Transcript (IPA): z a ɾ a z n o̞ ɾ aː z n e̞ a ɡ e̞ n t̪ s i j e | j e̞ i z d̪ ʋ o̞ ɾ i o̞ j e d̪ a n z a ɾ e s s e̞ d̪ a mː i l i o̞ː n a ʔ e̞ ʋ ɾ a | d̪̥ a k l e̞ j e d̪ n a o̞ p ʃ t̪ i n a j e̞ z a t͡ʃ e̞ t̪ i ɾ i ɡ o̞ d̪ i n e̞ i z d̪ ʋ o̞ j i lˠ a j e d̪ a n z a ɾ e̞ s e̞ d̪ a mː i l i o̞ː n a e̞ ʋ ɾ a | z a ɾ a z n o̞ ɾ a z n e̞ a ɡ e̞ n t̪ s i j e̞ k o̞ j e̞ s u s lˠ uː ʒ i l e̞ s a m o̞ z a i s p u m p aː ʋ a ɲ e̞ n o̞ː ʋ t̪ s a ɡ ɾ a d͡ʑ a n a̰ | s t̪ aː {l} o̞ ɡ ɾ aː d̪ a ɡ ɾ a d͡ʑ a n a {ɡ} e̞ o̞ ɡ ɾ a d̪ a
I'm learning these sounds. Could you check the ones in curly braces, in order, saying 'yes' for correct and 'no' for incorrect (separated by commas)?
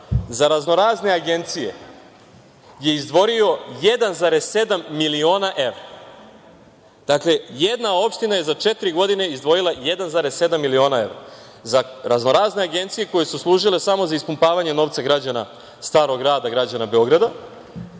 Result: no, no